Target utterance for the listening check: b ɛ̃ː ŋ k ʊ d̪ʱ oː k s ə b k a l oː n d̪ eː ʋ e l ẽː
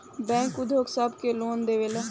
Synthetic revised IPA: b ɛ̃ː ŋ k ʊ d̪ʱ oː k s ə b k e l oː n d̪ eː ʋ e l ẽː